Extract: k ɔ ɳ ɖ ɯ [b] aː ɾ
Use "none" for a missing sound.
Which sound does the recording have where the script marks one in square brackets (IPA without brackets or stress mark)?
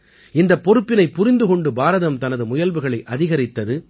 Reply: b